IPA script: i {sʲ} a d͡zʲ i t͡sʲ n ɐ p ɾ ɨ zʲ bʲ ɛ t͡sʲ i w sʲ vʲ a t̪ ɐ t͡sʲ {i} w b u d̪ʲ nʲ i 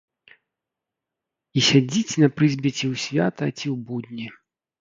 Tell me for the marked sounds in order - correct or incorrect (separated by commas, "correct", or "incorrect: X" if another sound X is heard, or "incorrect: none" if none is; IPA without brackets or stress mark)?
correct, correct